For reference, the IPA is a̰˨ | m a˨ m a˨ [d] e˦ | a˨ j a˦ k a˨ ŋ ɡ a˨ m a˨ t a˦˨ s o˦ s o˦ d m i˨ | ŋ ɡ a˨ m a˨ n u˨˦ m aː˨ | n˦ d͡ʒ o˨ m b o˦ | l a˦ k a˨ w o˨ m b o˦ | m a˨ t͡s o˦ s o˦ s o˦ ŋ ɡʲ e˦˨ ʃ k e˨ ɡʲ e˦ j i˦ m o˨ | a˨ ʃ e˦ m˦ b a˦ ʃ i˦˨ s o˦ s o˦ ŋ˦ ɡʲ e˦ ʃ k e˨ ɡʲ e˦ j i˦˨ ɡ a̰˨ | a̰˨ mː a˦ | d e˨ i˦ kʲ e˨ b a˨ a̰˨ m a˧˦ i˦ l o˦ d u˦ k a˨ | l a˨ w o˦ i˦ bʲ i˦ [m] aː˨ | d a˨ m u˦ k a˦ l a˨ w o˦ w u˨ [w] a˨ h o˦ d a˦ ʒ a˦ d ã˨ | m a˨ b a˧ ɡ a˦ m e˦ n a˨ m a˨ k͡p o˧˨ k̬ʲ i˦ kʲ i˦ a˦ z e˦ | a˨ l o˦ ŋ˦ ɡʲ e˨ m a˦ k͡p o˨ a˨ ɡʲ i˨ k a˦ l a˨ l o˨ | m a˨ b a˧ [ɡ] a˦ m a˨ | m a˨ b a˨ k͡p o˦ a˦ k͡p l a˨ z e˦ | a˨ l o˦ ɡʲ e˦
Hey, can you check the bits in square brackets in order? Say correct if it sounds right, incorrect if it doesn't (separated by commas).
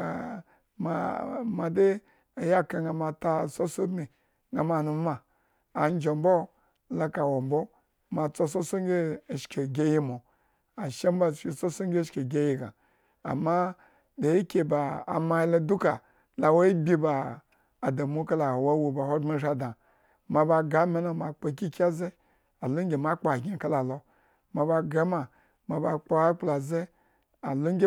correct, incorrect, incorrect, correct